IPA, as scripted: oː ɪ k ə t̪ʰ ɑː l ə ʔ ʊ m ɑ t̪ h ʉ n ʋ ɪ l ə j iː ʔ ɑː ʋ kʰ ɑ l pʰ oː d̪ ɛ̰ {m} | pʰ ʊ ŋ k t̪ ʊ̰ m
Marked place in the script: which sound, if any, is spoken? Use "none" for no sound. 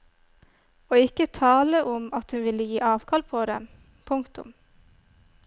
m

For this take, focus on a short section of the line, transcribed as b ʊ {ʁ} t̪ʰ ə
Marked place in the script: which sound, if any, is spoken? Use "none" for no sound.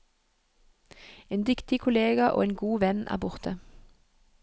ʁ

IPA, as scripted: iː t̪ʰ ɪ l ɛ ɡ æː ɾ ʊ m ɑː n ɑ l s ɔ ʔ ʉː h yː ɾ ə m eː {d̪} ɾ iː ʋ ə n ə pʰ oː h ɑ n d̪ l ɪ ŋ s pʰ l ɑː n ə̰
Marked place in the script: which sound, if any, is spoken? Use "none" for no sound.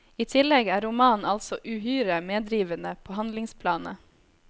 d̪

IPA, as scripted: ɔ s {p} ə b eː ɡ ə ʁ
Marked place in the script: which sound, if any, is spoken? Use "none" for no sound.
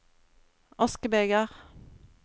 k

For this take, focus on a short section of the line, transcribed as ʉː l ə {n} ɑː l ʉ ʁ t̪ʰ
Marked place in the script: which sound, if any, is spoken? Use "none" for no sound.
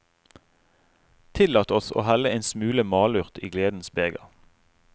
m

